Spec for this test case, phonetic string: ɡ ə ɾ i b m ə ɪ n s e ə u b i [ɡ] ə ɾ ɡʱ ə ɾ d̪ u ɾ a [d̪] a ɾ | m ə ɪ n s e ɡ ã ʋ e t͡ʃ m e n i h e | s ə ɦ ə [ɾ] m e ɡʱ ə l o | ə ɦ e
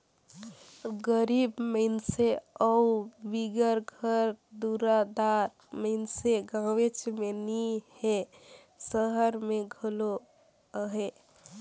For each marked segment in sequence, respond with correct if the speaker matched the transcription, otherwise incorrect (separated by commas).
correct, correct, correct